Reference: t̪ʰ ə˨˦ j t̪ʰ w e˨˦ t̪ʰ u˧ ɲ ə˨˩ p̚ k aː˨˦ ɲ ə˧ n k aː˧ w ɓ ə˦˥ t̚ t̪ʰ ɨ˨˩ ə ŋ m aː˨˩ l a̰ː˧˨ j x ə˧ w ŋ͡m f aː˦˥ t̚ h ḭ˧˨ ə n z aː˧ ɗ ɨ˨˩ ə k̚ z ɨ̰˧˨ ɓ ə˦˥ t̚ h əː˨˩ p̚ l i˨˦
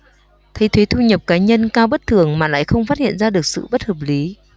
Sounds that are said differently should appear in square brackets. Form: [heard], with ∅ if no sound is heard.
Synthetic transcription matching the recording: t̪ʰ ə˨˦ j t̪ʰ w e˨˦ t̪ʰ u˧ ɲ ə˨˩ p̚ k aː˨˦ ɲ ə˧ n k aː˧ w ɓ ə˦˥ t̚ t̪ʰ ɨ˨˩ ə ŋ m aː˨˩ l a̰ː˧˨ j x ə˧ w ŋ͡m f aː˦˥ t̚ h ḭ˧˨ ə n z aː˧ ɗ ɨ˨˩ ə k̚ [s] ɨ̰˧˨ ɓ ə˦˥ t̚ h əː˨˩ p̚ l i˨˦

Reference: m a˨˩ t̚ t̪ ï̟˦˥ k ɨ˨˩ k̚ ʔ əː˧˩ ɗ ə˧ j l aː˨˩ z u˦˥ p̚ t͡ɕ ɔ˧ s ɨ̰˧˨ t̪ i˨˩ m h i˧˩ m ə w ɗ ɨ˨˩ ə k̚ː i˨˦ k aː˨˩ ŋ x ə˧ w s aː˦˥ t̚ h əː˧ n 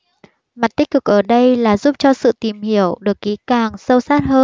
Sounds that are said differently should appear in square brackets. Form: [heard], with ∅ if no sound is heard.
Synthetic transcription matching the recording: m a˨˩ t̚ t̪ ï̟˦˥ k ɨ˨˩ k̚ ʔ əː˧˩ ɗ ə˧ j l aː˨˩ z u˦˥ p̚ t͡ɕ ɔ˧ s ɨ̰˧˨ t̪ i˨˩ m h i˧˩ [∅] ə w ɗ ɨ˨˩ ə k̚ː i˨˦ k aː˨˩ ŋ [s] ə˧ w s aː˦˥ t̚ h əː˧ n

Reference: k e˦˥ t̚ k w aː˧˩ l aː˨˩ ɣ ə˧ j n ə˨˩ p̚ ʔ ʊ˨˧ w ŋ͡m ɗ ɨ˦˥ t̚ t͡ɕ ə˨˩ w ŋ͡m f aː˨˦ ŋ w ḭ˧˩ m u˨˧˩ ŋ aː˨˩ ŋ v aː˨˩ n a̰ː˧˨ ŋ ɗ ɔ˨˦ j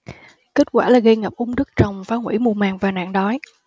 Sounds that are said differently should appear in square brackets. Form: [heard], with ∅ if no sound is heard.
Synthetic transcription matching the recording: k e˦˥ t̚ k w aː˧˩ l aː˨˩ ɣ ə˧ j [ŋ] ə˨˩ p̚ ʔ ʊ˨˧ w ŋ͡m ɗ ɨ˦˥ [k̚] t͡ɕ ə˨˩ w ŋ͡m f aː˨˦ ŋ w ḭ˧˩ m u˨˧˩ [m] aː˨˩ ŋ v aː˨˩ n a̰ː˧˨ ŋ ɗ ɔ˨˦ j

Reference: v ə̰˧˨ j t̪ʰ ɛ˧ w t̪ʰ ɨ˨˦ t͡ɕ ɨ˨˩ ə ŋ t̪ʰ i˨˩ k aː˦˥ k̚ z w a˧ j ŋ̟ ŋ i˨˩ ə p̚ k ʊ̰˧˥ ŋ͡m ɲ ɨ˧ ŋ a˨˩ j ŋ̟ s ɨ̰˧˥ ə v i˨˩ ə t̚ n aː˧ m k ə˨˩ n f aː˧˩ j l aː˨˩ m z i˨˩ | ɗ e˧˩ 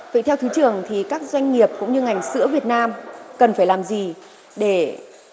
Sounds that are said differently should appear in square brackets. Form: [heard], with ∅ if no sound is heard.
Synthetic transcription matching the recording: v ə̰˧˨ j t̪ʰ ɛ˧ w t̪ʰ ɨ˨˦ t͡ɕ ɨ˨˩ ə ŋ t̪ʰ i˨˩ k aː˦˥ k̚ z w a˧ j ŋ̟ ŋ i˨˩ ə p̚ k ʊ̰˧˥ ŋ͡m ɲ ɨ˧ ŋ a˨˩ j ŋ̟ s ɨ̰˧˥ ə v i˨˩ ə t̚ n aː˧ m k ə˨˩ n f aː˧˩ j l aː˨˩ m z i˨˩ | ɗ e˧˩

